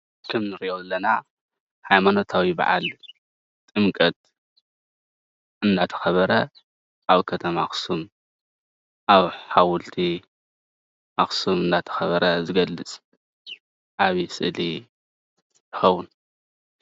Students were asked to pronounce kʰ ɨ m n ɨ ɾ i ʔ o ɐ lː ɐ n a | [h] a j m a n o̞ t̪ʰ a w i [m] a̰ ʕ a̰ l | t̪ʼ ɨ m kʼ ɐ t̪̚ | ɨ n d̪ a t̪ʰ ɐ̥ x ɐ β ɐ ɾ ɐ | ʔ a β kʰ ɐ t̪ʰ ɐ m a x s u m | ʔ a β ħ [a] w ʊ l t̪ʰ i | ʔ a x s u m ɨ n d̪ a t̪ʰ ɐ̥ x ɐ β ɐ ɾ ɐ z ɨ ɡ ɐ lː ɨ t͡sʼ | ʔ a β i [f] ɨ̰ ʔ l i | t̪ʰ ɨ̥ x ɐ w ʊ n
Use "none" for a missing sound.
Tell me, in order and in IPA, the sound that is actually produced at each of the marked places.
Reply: h, b, a, s

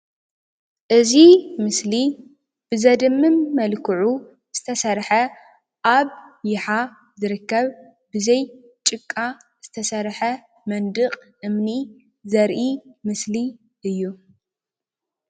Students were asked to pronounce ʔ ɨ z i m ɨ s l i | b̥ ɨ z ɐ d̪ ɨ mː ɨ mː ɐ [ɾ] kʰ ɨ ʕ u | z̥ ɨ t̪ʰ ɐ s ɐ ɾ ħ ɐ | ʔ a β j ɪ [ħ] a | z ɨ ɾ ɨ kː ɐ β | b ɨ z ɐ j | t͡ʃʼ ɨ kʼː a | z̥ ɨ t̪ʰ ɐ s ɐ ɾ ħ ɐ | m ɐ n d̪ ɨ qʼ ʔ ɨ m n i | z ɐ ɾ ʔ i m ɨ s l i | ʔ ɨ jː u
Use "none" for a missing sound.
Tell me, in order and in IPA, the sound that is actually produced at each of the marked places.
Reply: l, ħ

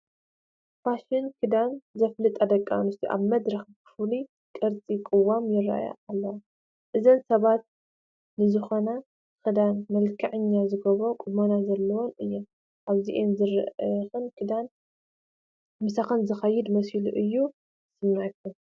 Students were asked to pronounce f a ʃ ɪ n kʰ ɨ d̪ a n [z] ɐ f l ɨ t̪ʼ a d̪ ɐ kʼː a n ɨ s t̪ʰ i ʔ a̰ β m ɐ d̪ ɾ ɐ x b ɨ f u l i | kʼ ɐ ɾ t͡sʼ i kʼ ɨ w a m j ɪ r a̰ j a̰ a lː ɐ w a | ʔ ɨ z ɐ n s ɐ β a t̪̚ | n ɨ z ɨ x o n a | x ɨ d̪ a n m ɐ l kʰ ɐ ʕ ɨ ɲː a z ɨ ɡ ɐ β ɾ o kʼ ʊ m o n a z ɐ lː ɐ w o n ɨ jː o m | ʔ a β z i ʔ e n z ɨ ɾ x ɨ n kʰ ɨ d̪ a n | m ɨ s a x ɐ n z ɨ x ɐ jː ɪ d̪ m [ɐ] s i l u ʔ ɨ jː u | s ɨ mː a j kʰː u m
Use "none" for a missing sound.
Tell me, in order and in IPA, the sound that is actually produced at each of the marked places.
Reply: z, ɐ

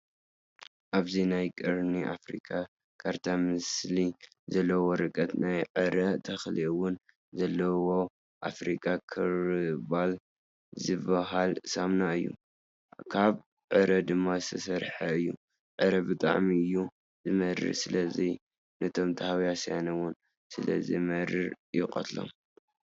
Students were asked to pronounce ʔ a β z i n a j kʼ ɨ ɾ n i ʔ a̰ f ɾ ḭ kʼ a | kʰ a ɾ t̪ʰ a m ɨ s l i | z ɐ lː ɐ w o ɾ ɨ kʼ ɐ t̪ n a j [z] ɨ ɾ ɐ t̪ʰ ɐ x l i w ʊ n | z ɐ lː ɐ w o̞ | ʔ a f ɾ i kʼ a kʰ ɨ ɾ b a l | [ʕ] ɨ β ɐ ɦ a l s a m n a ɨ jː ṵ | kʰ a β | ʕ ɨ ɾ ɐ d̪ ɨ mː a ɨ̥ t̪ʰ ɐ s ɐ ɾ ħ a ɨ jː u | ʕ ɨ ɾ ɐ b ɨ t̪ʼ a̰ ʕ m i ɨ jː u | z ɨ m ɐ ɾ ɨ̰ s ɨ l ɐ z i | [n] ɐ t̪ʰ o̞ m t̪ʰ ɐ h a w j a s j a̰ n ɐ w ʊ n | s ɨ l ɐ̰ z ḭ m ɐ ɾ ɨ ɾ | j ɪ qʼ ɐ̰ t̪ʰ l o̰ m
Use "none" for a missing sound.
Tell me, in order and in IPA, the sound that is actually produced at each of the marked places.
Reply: ʕ, z, n

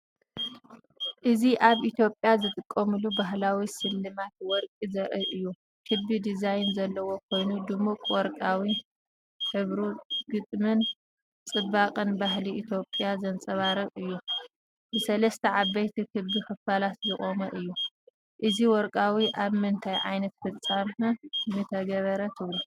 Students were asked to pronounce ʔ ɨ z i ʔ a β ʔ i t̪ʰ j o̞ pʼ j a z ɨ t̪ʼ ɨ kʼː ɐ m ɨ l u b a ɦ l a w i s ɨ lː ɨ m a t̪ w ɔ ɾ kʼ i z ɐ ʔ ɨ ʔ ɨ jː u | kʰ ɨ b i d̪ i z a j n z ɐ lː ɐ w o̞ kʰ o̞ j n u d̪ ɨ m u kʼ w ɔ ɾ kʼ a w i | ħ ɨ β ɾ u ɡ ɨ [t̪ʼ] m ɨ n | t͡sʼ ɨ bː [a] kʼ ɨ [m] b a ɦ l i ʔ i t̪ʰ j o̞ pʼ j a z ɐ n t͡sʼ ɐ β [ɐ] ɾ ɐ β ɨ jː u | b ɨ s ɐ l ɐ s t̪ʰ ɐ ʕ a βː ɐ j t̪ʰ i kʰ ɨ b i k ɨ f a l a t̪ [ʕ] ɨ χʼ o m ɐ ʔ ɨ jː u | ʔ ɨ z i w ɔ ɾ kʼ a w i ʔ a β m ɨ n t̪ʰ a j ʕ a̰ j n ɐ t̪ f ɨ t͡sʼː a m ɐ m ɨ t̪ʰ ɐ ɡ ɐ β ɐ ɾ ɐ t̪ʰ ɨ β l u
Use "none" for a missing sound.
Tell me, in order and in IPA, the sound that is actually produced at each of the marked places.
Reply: t̪ʼ, a, n, a, z

